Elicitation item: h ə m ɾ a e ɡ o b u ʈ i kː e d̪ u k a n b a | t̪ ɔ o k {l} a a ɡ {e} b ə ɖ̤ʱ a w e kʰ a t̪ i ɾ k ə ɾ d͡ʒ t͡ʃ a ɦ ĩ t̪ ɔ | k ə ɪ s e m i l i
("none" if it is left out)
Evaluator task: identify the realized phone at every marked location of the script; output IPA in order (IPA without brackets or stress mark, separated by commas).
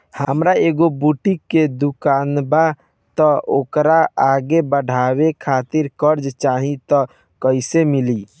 ɾ, e